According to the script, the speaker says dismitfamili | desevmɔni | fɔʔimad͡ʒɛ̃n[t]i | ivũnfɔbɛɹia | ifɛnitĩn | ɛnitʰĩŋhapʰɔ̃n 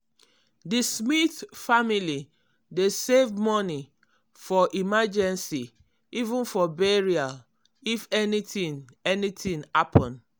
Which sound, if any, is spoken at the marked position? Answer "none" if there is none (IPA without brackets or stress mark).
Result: s